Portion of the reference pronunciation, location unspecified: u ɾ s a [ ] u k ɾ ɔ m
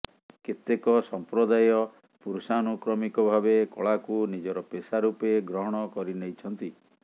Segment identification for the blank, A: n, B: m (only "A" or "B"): A